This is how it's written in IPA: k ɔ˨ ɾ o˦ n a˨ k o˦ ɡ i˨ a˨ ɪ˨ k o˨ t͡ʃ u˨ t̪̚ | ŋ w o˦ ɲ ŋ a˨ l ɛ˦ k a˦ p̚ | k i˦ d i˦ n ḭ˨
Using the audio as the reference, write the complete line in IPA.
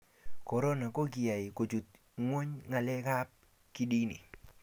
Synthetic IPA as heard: k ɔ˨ ɾ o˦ n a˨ k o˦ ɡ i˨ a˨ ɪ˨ k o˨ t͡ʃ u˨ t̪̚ | ŋ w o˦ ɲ ŋ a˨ l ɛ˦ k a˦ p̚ | k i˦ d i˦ n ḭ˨